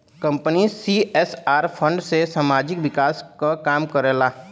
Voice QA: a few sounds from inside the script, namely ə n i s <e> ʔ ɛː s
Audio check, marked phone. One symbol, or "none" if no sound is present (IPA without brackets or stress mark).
i